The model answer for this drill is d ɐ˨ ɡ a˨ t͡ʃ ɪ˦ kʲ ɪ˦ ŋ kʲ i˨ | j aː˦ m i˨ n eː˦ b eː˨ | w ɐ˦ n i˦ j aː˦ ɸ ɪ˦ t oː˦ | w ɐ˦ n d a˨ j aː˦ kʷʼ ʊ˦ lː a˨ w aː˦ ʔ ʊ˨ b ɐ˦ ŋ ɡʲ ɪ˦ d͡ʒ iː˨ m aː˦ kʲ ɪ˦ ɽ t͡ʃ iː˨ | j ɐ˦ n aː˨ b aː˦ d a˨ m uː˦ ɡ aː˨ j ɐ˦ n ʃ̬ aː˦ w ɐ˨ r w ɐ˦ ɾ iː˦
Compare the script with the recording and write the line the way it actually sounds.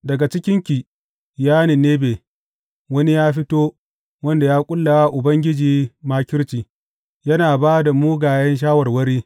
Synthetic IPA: d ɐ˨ ɡ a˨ t͡ʃ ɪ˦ kʲ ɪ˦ ŋ kʲ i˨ | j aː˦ n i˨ n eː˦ b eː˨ | w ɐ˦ n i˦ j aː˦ ɸ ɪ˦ t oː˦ | w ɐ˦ n d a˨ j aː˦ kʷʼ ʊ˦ lː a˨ w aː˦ ʔ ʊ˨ b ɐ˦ ŋ ɡʲ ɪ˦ d͡ʒ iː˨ m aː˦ kʲ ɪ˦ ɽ t͡ʃ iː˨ | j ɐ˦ n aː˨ b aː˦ d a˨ m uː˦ ɡ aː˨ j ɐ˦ n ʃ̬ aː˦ w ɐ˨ r w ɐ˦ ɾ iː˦